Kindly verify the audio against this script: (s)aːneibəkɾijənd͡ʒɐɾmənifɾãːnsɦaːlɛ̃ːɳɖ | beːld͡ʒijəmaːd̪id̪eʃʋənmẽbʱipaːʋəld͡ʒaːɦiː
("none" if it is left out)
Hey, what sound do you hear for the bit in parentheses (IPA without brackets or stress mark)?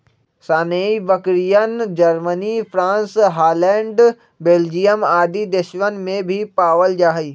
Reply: s